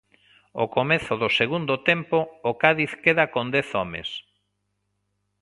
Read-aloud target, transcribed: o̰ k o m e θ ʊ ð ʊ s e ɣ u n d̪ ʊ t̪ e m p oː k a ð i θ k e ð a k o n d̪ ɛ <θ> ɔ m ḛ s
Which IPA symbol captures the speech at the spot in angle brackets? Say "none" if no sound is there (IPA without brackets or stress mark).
θ